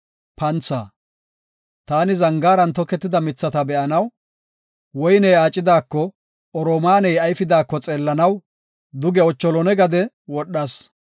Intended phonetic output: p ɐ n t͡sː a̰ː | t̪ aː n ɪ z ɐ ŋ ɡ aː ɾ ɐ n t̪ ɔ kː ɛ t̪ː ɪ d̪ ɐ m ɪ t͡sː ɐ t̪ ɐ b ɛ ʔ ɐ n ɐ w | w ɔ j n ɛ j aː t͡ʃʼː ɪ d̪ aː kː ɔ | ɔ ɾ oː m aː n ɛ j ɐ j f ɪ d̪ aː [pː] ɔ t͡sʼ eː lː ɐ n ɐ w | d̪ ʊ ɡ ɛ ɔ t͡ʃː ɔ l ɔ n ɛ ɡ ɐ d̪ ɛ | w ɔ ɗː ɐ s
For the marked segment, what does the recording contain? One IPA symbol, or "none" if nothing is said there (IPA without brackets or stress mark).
kː